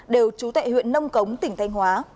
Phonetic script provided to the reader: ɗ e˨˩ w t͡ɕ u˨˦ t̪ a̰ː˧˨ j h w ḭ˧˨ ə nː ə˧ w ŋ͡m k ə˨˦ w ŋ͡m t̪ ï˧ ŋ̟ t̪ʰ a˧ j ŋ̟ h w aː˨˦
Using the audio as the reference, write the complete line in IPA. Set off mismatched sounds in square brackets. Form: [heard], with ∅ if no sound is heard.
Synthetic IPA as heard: ɗ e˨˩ w t͡ɕ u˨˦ t̪ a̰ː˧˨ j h w ḭ˧˨ ə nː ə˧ w ŋ͡m k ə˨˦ w ŋ͡m t̪ [ï˧˩] ŋ̟ t̪ʰ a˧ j ŋ̟ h w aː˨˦